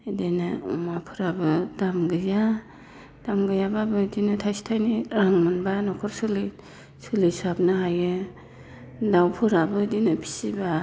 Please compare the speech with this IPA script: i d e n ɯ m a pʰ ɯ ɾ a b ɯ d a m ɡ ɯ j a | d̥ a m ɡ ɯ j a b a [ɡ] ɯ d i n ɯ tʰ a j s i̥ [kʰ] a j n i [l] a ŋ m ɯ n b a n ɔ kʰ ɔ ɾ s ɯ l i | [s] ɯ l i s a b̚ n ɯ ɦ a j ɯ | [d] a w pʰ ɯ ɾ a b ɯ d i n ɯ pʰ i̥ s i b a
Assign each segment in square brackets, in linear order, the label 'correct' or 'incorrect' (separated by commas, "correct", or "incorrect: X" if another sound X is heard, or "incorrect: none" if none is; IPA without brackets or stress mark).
incorrect: b, incorrect: tʰ, incorrect: ɾ, correct, correct